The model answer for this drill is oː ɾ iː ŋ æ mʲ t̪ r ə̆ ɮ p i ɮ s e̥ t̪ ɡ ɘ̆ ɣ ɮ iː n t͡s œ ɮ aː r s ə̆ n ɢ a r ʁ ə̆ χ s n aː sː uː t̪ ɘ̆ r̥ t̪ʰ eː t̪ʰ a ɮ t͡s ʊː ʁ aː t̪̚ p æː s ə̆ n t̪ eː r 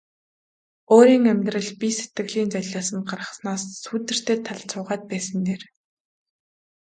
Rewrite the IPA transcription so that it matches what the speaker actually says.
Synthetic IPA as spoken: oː ɾ iː ŋ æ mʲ t̪ r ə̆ ɮ p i s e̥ t̪ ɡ ɘ̆ ɣ ɮ iː n t͡s œ ɮ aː s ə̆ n ɢ a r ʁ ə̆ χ s n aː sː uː t̪ ɘ̆ r̥ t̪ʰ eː t̪ʰ a ɮ t͡s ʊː ʁ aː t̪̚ p æː s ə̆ n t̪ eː r

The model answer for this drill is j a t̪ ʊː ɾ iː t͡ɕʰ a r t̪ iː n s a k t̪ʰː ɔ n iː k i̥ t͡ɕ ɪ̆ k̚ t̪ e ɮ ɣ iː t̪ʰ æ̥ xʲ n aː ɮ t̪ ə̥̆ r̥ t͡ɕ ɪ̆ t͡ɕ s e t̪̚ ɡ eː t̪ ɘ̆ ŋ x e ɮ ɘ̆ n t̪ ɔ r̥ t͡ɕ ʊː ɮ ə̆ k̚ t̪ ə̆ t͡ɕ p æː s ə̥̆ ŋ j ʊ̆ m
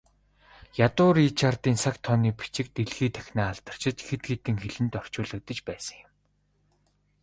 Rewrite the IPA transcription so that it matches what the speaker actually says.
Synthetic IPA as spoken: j a t̪ ʊː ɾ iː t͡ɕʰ a r t̪ iː n s a k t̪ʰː ɔ n iː p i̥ t͡ɕ ɪ̆ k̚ t̪ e ɮ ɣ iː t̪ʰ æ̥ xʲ n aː ɮ t̪ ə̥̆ r̥ t͡ɕ ɪ̆ t͡ɕ x e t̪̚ ɡ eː t̪ ɘ̆ ŋ x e ɮ ɘ̆ n t̪ ɔ r̥ t͡ɕ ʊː ɮ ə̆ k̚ t̪ ə̆ t͡ɕ p æː s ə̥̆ ŋ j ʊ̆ m

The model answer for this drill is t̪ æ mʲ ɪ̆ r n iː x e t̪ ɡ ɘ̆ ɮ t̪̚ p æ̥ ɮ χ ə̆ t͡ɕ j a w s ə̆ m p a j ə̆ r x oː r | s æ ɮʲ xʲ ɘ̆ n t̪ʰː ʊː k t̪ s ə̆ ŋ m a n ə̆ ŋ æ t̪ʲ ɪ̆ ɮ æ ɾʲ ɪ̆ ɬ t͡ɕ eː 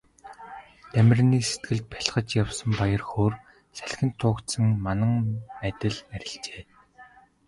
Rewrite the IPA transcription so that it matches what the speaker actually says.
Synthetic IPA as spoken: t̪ æ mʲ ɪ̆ r n iː s e t̪ ɡ ɘ̆ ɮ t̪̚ p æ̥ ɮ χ ə̆ t͡ɕ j a w s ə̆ m p a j ə̆ r x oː r | s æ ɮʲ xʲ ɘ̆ n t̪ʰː ʊː k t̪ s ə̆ ŋ m a n ə̆ ŋ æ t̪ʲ ɪ̆ ɮ æ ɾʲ ɪ̆ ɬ t͡ɕ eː

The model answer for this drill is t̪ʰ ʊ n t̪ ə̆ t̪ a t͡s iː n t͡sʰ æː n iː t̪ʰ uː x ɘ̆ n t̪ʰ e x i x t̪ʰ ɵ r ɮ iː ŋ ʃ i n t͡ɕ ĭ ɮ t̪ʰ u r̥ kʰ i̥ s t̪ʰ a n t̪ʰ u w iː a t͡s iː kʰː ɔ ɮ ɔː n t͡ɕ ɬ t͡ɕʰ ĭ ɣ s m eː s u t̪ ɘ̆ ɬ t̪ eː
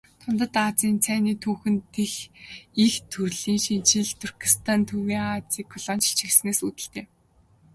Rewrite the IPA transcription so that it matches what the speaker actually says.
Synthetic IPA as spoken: t̪ʰ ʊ n t̪ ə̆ t̪ a t͡s iː n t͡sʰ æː n iː t̪ʰ uː x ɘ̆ n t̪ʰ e x i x t̪ʰ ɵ r ɮ iː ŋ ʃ i n t͡ɕ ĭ ɮ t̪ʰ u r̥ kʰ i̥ s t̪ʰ a n t̪ʰ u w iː a t͡s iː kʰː ɔ ɮ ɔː n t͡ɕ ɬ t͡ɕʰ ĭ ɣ s n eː s u t̪ ɘ̆ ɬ t̪ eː

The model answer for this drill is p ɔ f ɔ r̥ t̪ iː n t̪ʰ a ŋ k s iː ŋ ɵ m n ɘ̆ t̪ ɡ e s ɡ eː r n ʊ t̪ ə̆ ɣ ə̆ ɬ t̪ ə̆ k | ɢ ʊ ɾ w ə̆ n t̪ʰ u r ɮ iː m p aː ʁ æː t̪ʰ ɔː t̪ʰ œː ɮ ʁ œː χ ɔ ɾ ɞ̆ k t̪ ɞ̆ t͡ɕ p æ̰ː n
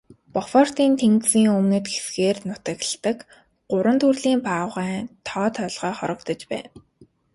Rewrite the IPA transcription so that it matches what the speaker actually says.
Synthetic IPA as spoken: p ɔ f ɔ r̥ t̪ iː n t̪ʰ e ŋ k s iː ŋ ɵ m n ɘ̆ t̪ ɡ e s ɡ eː r n ʊ t̪ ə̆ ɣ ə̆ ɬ t̪ ə̆ k | ɢ ʊ ɾ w ə̆ n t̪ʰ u r ɮ iː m p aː ʁ æː t̪ʰ ɔː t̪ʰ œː ɮ ʁ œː χ ɔ ɾ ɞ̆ k t̪ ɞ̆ t͡ɕ p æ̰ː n

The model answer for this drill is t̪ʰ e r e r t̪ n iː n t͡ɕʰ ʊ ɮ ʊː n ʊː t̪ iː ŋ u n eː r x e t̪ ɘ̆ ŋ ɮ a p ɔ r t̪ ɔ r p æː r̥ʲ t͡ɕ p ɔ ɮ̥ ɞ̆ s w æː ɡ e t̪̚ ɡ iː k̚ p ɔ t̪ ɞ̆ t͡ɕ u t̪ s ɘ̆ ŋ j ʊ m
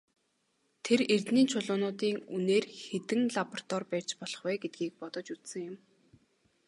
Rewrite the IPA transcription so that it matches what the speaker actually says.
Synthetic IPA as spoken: t̪ʰ e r e r t̪ n iː n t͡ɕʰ ʊ ɮ ʊː n ʊː t̪ iː ŋ u n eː r x e t̪ ɘ̆ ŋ ɮ a p ɔ r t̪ ɔ r p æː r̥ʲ t͡ɕ p ɔ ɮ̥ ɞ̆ χ w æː ɡ e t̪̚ ɡ iː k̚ p ɔ t̪ ɞ̆ t͡ɕ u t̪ s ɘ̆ ŋ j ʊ m

